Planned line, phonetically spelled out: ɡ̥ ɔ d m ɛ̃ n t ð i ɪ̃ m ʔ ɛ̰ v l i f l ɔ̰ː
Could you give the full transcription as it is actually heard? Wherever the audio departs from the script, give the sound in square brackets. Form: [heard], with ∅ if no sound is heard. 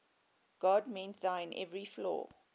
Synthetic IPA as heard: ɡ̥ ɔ d m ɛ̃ n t ð [a] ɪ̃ [n] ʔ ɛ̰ v [ɹ] i f l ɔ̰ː